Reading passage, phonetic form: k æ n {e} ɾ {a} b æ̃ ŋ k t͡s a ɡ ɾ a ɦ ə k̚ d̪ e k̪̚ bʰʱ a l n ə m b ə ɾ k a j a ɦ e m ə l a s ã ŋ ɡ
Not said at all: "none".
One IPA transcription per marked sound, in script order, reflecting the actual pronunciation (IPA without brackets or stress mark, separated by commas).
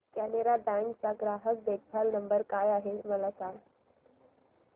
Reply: e, a